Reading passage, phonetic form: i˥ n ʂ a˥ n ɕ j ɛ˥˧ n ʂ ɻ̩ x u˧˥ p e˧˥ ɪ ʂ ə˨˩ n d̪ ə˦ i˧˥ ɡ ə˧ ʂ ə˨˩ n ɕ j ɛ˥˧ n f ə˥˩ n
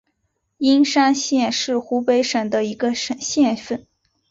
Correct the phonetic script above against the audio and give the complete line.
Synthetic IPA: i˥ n ʂ a˥ n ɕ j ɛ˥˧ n ʂ ɻ̩ x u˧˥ p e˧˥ ɪ ʂ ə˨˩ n d̪ ə˦ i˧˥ ɡ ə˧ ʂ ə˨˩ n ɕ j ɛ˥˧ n f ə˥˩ n